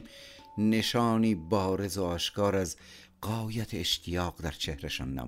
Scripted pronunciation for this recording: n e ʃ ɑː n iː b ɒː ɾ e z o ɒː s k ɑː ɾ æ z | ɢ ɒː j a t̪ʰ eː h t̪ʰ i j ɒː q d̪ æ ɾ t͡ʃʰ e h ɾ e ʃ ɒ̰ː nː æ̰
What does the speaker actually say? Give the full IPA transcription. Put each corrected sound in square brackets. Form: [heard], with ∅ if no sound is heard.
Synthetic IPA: n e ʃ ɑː n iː b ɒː ɾ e z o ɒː [ʃ] k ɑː ɾ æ z | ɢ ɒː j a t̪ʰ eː [ʃ] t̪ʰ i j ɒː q d̪ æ ɾ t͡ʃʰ e h ɾ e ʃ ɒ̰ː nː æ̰